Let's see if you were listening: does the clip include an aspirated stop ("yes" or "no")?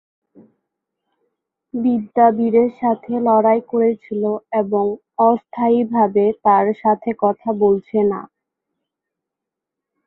yes